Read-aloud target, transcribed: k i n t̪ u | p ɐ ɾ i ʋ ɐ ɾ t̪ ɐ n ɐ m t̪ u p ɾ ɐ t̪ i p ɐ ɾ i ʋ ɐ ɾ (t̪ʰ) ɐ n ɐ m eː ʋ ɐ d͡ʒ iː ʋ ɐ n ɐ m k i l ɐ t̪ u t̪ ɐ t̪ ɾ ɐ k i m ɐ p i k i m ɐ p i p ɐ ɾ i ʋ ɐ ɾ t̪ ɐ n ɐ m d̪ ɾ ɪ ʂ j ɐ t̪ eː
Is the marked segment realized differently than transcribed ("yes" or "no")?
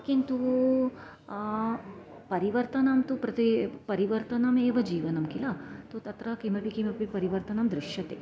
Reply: yes